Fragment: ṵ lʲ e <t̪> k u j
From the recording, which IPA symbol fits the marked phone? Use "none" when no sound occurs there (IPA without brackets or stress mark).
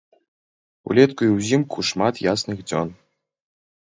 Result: t̪